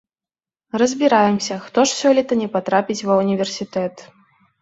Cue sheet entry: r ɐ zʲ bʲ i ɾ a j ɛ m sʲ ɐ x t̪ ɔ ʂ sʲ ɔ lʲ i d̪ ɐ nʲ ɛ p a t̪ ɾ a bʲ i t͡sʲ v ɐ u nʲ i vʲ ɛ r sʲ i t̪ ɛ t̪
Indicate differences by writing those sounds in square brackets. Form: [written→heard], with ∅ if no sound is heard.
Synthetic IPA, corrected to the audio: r ɐ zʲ bʲ i ɾ a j ɛ m sʲ ɐ x t̪ ɔ ʂ sʲ ɔ lʲ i [d̪→t̪] ɐ nʲ ɛ p a t̪ ɾ a [bʲ→pʲ] i t͡sʲ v ɐ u nʲ i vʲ ɛ r sʲ i t̪ ɛ t̪